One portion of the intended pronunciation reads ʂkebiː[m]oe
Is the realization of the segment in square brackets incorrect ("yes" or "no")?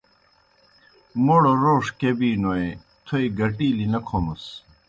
yes